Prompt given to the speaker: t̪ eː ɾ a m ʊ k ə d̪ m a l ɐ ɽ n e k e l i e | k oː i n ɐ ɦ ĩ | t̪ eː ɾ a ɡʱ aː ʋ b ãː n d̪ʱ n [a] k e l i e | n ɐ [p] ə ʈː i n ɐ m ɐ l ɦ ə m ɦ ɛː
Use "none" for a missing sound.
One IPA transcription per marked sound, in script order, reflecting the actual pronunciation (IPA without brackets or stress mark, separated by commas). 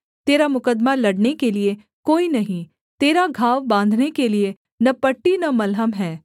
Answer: e, p